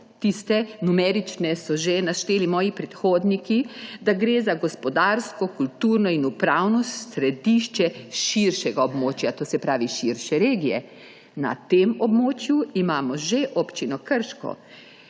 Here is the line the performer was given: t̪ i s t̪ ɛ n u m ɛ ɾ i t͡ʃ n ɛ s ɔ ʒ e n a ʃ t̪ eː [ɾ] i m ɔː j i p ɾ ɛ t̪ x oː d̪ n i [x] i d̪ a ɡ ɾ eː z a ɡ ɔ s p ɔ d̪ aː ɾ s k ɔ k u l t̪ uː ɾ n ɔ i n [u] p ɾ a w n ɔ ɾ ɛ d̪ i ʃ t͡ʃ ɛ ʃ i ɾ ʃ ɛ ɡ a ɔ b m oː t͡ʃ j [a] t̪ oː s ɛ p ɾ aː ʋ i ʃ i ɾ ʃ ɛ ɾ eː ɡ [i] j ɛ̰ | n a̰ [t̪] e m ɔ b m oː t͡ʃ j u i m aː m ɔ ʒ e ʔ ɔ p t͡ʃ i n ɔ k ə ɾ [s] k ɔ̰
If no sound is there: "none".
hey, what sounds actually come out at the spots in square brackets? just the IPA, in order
l, k, u, a, i, t̪, ʃ

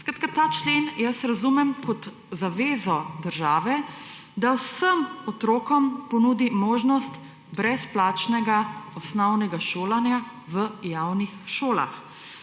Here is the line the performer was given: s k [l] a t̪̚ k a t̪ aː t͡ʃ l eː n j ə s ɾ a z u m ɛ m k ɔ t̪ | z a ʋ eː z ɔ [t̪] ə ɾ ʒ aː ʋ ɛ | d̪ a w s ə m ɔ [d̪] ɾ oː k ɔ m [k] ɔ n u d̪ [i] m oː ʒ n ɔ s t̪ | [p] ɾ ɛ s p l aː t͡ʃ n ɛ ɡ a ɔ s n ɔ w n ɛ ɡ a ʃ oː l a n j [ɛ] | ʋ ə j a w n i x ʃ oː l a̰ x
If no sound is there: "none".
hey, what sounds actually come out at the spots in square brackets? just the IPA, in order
ɾ, d̪, t̪, p, i, b, a

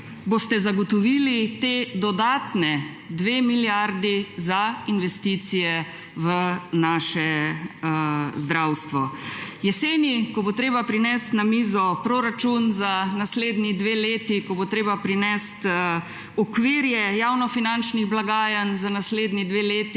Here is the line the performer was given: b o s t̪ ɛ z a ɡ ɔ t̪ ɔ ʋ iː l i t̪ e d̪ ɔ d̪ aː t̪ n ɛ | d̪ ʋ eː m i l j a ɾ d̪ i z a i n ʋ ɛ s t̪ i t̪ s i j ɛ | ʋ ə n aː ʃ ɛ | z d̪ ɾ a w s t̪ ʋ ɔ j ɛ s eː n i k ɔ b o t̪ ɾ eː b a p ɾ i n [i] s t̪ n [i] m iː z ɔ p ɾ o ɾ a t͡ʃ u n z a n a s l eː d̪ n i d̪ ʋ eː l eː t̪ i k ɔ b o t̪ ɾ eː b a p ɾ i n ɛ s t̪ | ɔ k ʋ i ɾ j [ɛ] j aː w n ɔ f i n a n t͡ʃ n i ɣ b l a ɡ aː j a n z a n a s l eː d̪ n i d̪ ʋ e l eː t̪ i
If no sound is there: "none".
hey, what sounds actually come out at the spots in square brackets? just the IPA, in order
ɛ, a, ɛ

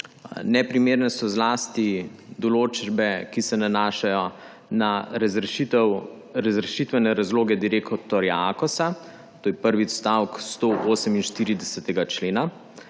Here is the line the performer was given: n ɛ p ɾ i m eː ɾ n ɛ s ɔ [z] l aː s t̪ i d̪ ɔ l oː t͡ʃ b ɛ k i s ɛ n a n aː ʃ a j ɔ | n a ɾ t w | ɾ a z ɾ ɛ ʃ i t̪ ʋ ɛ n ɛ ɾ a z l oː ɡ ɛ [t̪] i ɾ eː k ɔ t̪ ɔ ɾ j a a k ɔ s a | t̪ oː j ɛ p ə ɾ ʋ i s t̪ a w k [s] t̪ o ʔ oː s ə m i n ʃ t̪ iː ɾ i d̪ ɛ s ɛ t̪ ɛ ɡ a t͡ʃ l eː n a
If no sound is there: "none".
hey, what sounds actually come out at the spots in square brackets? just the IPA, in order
z, d̪, s

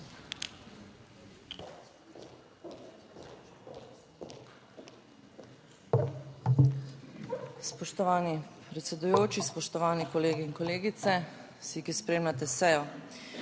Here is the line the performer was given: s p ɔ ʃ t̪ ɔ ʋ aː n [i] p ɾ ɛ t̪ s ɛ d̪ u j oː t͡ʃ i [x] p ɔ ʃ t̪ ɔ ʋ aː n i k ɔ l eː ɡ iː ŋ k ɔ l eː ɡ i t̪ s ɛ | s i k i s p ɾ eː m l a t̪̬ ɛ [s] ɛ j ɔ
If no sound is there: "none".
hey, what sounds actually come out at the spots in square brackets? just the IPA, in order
i, s, s

